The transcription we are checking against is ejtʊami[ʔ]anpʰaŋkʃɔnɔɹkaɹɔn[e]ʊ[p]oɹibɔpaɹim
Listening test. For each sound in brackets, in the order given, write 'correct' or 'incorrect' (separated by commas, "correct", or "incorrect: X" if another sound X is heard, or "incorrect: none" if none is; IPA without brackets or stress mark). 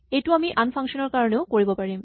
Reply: correct, correct, incorrect: k